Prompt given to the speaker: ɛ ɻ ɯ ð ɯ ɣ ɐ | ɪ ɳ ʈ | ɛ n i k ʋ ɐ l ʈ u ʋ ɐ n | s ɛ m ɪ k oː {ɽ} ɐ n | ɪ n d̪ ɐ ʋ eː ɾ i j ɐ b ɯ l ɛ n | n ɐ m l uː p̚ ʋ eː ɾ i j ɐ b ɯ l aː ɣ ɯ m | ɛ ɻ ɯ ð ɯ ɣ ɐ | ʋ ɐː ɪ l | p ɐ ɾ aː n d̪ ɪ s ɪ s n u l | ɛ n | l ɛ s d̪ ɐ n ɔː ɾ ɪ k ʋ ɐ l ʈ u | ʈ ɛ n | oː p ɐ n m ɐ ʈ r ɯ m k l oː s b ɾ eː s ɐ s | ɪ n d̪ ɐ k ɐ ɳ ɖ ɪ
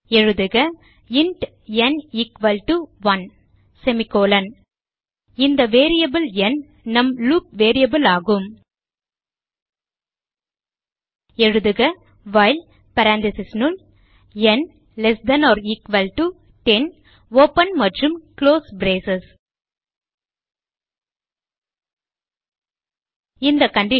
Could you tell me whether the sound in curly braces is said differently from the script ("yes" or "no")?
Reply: yes